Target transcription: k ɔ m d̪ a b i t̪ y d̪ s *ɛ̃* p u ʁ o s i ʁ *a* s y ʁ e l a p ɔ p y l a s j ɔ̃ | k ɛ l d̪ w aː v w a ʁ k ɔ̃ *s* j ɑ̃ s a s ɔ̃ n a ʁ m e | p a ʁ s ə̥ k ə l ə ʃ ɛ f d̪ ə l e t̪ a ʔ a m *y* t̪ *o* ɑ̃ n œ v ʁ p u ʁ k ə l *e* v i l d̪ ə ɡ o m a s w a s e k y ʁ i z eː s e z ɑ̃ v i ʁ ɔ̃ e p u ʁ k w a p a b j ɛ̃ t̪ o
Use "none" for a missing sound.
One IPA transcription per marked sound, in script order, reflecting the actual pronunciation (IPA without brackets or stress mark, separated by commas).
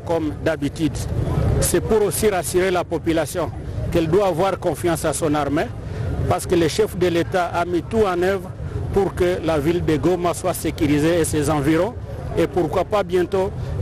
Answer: ɛ, a, f, i, u, a